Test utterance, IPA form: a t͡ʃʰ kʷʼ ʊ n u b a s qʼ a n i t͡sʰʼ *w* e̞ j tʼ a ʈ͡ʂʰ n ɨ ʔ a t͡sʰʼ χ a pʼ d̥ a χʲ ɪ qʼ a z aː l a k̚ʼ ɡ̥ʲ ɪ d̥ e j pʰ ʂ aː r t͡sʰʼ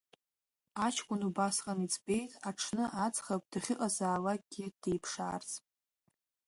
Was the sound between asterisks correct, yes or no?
no